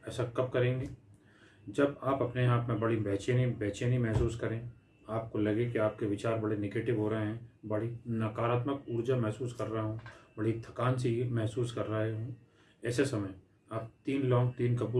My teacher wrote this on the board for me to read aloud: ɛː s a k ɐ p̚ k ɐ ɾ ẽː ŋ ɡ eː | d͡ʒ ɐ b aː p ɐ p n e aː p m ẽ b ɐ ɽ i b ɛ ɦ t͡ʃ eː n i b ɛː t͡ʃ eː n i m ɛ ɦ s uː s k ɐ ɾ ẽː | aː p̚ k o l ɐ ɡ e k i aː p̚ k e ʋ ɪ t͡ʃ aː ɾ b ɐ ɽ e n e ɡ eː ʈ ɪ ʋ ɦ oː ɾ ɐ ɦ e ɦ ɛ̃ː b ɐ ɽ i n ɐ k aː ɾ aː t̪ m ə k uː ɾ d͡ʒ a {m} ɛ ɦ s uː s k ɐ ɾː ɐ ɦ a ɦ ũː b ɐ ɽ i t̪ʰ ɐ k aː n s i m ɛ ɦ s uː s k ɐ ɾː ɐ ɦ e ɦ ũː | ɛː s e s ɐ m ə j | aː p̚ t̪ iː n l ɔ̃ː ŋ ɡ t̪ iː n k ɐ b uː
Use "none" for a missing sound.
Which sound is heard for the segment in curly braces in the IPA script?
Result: m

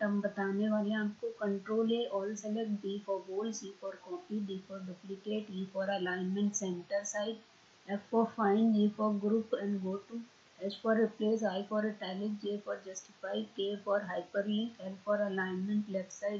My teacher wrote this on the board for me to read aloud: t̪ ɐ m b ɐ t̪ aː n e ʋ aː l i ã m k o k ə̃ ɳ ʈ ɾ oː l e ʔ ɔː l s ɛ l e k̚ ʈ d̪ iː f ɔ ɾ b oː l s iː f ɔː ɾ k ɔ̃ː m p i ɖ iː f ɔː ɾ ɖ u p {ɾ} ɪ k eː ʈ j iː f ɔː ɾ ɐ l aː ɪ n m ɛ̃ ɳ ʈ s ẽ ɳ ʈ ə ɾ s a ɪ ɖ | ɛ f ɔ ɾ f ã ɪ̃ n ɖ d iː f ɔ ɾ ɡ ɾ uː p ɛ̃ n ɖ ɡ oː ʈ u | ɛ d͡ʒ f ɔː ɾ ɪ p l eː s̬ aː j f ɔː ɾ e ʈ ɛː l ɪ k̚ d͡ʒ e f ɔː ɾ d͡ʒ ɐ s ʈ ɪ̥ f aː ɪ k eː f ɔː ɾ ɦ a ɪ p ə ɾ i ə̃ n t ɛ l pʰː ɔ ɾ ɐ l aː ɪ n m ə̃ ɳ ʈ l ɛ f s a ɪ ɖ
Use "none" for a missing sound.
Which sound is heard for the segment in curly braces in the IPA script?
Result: l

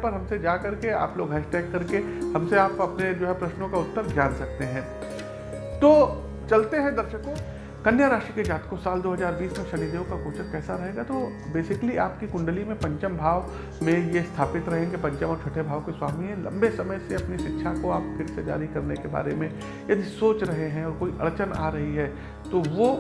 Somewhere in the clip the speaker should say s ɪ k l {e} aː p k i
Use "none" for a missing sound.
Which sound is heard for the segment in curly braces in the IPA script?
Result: i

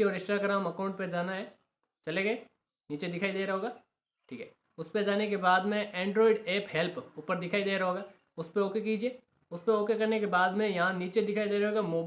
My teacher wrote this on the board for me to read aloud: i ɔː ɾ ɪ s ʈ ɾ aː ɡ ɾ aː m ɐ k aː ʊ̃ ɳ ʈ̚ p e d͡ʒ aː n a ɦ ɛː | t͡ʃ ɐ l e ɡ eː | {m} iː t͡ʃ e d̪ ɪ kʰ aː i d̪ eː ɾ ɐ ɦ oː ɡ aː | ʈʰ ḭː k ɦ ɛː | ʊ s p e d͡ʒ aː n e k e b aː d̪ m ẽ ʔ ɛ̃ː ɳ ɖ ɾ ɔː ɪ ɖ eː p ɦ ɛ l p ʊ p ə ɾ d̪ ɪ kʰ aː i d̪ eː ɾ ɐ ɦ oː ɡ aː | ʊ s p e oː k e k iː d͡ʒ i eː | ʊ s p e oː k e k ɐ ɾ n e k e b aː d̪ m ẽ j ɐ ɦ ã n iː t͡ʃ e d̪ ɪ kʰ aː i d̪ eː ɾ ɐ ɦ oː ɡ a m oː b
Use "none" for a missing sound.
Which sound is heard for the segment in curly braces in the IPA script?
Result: n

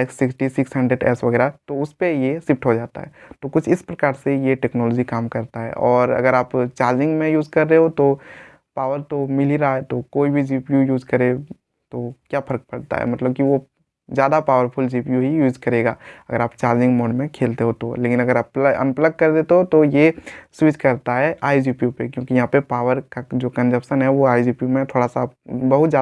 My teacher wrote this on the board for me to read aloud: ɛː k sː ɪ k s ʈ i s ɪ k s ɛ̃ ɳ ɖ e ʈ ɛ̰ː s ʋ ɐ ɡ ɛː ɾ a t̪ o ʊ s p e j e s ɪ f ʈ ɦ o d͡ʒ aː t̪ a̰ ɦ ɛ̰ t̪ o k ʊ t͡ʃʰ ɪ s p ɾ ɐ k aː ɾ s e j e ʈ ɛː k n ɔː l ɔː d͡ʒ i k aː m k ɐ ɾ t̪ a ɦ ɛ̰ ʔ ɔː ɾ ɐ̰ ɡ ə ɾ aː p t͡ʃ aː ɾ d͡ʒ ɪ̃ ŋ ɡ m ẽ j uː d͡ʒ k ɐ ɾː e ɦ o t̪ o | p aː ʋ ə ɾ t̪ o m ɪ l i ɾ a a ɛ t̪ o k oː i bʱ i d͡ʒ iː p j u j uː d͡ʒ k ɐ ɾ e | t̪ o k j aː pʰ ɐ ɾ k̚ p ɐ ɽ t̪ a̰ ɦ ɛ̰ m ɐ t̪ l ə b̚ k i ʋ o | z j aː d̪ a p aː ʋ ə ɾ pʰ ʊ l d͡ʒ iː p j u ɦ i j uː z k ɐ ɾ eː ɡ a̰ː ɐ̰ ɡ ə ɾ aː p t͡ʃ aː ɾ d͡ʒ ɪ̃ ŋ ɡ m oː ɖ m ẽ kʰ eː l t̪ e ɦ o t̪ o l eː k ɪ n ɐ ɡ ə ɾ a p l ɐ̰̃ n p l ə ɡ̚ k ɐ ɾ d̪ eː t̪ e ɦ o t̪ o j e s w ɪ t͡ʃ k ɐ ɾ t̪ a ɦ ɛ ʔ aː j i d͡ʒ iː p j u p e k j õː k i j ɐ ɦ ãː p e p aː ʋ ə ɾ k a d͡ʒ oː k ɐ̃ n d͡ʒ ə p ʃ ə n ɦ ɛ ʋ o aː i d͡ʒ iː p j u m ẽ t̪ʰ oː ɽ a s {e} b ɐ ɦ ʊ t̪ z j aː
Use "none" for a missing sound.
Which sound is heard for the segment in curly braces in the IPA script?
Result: a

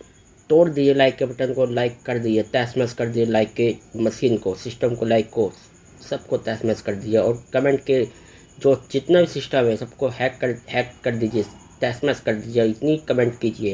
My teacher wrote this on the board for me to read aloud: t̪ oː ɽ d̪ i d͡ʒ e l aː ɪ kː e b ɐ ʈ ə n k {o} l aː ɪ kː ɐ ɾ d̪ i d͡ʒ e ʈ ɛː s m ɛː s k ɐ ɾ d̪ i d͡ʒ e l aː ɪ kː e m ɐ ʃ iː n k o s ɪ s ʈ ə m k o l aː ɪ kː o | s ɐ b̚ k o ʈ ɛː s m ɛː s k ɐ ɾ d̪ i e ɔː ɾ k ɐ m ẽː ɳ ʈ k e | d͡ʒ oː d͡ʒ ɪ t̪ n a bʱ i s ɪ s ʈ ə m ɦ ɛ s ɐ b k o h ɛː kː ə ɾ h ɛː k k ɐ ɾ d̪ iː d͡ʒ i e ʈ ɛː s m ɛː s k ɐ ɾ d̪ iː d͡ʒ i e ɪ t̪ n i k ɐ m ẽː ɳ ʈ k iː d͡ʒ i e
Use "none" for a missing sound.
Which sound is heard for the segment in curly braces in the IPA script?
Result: o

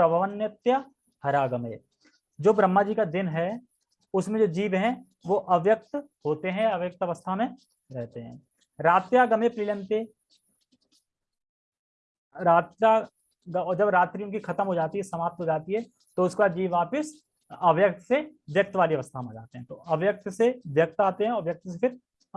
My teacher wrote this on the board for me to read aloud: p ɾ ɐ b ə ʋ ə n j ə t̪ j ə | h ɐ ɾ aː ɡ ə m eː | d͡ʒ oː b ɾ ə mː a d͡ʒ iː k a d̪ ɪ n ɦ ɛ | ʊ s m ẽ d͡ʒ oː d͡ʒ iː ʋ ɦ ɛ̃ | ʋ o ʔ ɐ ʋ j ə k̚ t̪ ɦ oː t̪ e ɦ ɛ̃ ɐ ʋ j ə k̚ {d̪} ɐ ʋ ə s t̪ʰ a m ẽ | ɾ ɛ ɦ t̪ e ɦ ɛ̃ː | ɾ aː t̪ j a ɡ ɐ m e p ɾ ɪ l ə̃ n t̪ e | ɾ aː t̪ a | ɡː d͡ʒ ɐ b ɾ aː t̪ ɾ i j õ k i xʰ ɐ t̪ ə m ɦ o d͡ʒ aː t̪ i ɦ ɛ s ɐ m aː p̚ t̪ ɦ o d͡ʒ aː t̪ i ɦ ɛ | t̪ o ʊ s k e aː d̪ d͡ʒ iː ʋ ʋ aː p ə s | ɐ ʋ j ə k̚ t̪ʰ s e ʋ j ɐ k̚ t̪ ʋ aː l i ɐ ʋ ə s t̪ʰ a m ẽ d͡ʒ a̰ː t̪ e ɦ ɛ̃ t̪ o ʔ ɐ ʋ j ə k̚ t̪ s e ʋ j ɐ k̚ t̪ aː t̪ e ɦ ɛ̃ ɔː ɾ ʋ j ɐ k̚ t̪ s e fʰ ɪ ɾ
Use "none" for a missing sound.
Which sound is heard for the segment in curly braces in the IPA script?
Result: t̪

